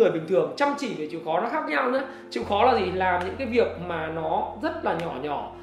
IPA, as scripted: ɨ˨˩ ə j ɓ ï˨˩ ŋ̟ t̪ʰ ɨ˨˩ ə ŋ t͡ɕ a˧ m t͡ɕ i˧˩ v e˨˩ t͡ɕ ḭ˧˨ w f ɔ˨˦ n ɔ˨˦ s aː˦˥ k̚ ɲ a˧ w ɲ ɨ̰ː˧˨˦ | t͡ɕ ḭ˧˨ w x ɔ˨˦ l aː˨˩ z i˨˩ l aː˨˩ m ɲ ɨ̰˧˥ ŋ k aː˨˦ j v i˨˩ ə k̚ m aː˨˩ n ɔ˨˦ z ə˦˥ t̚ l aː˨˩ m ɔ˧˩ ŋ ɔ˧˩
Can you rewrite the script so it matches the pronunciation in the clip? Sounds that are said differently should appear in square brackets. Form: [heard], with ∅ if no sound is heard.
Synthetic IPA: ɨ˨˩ ə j ɓ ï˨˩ ŋ̟ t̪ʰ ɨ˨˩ ə ŋ t͡ɕ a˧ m t͡ɕ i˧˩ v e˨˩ t͡ɕ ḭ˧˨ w [x] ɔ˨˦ n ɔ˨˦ [x] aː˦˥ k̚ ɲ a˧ w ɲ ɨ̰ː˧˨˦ | t͡ɕ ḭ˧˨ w x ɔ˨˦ l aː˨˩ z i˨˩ l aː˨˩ m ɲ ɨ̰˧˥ ŋ k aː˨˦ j v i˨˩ ə k̚ m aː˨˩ n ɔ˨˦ z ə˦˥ t̚ l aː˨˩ [ɲ] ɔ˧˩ [ɲ] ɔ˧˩